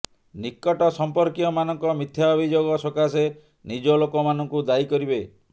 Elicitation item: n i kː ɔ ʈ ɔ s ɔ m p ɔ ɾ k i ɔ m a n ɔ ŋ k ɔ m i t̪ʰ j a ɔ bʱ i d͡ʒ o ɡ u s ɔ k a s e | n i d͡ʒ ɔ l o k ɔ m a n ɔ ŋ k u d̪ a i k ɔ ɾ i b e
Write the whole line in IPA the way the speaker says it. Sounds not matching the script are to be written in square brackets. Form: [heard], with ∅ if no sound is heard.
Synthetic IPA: n i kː ɔ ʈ ɔ s ɔ m p ɔ ɾ k i ɔ m a n ɔ ŋ k ɔ m i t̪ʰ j a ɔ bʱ i d͡ʒ o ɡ [ɔ] s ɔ k a s e | n i d͡ʒ ɔ l o k ɔ m a n ɔ ŋ k u d̪ a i k ɔ ɾ i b e